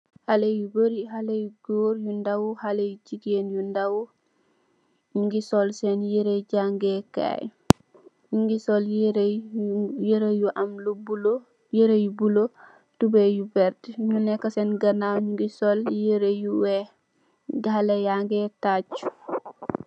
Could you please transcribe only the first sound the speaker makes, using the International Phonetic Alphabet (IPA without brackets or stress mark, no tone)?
h